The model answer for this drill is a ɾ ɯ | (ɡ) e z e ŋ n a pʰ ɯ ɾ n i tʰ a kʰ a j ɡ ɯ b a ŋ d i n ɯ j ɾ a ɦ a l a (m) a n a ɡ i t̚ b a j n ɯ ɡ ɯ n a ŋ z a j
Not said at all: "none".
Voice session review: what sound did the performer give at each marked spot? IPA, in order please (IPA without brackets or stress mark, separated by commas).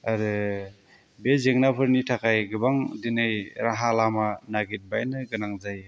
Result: b, m